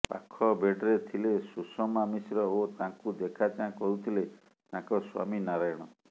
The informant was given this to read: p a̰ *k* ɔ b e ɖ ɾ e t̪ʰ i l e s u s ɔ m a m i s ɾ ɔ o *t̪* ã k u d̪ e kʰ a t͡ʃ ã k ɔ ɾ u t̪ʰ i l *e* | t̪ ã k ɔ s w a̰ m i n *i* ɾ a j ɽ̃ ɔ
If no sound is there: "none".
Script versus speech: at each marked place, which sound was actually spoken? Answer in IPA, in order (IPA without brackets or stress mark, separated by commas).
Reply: kʰ, t̪, e, a